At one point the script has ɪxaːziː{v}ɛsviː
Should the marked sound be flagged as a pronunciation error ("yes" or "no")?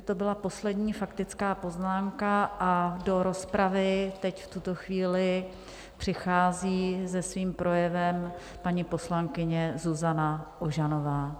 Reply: yes